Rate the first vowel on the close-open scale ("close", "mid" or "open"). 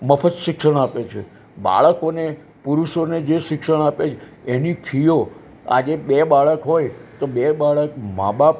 mid